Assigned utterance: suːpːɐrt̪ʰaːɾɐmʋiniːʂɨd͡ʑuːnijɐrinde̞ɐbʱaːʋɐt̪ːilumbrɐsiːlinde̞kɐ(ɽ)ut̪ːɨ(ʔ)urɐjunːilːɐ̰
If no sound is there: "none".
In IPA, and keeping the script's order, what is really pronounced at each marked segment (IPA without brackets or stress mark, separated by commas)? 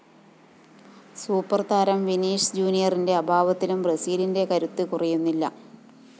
ɾ, k